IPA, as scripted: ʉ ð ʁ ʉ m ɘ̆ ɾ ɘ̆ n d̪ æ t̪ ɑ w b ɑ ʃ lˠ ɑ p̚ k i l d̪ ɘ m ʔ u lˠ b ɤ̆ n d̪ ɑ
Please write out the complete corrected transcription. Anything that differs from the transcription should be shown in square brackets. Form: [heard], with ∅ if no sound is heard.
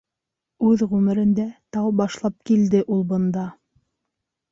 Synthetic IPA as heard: ʉ ð ʁ ʉ m ɘ̆ ɾ ɘ̆ n d̪ æ t̪ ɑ w b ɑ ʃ lˠ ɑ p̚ k i l d̪ ɘ [∅] ʔ u lˠ b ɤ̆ n d̪ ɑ